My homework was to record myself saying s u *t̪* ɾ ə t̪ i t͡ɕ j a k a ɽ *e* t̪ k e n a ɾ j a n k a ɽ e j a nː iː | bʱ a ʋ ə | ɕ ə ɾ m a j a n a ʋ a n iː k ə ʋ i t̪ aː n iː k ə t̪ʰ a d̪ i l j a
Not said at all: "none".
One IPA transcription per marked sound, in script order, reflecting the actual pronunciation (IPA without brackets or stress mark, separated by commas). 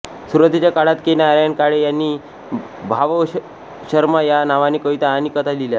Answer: none, a